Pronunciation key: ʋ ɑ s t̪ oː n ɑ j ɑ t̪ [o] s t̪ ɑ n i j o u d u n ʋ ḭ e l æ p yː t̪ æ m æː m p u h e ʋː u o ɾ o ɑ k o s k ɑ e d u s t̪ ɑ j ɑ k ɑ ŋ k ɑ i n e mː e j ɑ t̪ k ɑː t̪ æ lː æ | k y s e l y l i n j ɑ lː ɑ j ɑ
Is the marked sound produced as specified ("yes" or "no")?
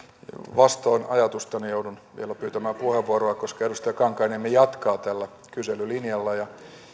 no